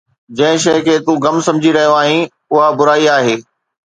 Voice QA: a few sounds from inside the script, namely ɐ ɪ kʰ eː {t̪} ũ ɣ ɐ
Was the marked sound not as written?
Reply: no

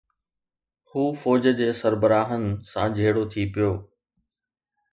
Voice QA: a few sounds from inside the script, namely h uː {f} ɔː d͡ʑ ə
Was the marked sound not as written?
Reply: no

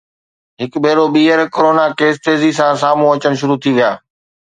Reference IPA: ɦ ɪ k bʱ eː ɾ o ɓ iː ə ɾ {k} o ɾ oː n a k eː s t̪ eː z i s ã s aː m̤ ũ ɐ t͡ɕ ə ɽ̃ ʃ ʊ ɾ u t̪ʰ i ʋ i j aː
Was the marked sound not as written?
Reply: no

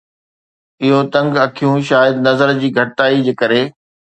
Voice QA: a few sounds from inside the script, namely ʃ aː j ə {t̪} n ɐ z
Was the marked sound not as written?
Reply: yes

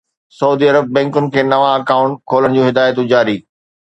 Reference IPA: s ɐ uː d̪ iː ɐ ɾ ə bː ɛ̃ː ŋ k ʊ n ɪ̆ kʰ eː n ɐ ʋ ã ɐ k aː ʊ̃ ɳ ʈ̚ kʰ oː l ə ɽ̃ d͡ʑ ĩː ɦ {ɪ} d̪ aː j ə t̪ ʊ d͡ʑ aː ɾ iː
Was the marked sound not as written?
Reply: no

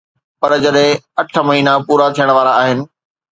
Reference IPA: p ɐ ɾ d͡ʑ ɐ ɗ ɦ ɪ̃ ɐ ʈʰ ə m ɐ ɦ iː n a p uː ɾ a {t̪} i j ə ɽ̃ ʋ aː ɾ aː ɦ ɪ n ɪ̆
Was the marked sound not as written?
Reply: yes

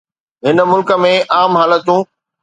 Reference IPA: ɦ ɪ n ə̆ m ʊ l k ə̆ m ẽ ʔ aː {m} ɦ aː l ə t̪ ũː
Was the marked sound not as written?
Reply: no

